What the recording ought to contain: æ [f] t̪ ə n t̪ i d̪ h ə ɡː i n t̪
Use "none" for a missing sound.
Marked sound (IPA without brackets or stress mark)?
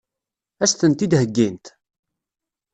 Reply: s